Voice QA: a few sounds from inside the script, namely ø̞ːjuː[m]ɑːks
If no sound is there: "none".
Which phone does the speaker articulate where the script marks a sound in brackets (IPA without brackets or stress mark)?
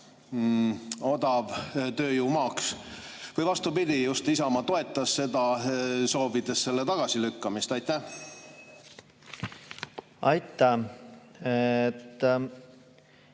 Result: m